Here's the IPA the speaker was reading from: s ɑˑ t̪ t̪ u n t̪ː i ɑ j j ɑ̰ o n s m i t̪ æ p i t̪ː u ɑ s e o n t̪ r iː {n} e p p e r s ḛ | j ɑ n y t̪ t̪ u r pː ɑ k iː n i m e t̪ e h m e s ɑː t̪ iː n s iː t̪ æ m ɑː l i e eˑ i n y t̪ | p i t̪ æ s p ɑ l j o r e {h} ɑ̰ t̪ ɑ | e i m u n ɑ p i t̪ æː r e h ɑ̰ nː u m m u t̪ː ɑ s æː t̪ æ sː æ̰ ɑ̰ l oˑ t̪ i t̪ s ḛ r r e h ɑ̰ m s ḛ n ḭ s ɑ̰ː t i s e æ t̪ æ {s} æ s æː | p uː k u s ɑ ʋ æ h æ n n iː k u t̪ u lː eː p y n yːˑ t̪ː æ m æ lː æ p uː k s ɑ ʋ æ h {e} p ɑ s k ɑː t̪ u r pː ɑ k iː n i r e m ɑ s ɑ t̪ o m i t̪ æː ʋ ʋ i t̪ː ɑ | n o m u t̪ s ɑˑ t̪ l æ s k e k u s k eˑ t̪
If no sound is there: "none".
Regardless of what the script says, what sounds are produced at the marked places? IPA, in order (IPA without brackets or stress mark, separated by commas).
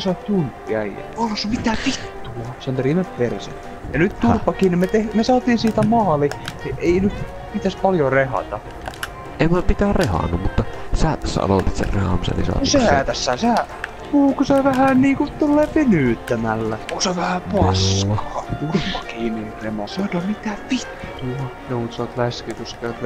m, h, sː, æ